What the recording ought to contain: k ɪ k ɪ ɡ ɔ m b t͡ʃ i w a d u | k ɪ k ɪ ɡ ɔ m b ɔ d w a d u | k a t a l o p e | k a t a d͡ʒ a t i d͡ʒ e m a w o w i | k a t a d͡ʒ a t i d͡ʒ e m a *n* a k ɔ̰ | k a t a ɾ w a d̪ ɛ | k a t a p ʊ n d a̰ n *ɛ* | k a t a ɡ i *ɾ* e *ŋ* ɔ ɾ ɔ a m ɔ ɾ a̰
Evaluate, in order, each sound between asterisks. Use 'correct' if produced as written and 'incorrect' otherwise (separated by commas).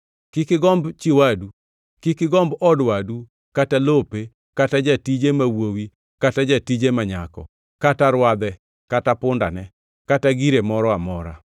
incorrect, correct, correct, incorrect